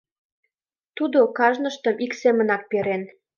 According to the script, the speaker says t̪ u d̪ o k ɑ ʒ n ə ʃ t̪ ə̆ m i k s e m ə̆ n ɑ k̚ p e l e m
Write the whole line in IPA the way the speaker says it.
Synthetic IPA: t̪ u d̪ o k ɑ ʒ n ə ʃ t̪ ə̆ m i k s e m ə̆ n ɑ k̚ p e ɾ e n